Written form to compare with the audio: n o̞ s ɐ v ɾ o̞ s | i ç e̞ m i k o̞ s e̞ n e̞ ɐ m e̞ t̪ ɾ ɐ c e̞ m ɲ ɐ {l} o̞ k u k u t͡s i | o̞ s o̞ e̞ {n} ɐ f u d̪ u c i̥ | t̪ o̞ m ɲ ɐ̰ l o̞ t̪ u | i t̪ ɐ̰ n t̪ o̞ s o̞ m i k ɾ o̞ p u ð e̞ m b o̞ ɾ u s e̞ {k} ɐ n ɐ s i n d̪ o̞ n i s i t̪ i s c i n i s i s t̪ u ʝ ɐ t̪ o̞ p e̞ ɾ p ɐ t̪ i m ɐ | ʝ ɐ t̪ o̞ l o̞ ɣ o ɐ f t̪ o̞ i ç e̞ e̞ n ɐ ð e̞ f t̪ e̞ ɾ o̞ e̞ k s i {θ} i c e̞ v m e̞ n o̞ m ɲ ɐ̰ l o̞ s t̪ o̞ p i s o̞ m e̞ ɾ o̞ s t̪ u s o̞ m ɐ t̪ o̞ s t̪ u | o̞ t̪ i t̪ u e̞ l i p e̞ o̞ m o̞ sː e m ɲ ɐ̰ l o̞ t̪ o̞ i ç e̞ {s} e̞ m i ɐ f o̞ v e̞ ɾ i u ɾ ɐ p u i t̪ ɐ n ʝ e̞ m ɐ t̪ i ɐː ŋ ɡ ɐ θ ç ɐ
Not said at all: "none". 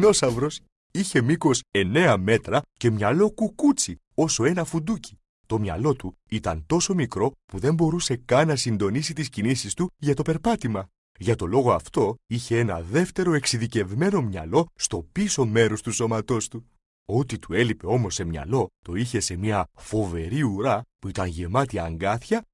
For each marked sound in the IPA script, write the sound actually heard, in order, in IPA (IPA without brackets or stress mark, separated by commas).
l, n, k, ð, s